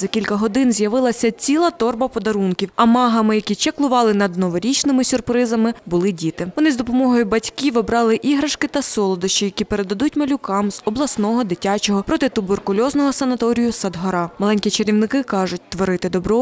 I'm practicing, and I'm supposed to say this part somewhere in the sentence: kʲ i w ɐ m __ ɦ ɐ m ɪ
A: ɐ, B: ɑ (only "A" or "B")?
B